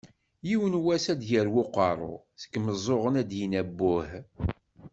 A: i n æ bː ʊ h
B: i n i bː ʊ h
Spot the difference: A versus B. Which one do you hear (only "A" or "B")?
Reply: A